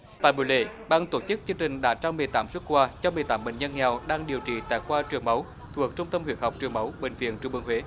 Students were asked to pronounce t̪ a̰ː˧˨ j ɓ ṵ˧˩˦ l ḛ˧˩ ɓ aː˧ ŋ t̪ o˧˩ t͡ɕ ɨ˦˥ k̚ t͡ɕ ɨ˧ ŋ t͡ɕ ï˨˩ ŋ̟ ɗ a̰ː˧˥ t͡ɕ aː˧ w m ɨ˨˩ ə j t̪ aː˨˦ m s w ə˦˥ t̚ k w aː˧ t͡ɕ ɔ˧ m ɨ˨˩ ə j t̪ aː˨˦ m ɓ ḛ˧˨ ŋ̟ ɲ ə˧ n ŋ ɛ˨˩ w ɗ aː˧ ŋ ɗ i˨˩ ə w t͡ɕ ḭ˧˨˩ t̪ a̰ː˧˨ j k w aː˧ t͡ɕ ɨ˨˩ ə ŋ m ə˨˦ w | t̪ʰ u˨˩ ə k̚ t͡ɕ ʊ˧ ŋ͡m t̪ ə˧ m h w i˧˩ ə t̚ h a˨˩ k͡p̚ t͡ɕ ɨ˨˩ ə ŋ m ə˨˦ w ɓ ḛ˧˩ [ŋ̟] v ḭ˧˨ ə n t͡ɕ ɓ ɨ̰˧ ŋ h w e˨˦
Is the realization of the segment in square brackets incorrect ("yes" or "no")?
no